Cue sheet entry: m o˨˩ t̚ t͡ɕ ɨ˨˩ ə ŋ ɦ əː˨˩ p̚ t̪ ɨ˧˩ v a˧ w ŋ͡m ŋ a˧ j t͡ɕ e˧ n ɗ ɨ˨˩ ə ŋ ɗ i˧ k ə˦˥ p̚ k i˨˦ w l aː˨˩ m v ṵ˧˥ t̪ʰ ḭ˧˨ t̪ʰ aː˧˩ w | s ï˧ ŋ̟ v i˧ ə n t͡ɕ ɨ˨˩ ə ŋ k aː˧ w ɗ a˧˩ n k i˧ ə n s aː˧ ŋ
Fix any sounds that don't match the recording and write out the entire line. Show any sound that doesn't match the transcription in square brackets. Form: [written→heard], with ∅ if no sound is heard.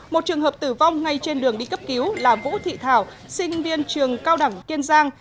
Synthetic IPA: m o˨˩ t̚ t͡ɕ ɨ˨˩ ə ŋ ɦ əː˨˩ p̚ t̪ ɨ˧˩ v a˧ w ŋ͡m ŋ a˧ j t͡ɕ e˧ n ɗ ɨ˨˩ ə ŋ ɗ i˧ k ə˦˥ p̚ k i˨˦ w l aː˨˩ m v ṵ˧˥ t̪ʰ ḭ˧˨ t̪ʰ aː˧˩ w | s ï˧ ŋ̟ v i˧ ə n t͡ɕ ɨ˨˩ ə ŋ k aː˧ w ɗ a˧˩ [n→ŋ] k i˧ ə n [s→z] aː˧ ŋ